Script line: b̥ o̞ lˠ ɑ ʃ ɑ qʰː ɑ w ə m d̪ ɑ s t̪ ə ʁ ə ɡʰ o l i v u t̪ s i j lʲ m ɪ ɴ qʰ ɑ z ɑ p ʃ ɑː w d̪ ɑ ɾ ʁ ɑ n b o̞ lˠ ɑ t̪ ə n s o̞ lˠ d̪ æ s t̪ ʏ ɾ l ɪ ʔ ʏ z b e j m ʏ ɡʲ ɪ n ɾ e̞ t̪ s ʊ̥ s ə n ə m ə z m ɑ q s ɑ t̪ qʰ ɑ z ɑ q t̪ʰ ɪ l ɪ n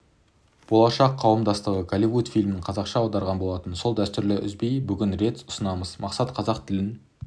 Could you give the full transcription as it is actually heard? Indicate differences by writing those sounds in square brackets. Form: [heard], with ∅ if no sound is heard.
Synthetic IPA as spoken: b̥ o̞ lˠ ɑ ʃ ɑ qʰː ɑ w ə m d̪ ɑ s t̪ ə ʁ ə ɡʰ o l i v u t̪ [f] i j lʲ m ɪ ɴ qʰ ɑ z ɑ [q] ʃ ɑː w d̪ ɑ ɾ ʁ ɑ n b o̞ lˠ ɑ t̪ ə n s o̞ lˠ d̪ æ s t̪ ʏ ɾ l ɪ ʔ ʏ z b e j [b] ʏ ɡʲ ɪ n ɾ e̞ t̪ s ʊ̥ s ə n [ɑ] m ə z m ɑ q s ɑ t̪ qʰ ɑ z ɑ q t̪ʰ ɪ l ɪ n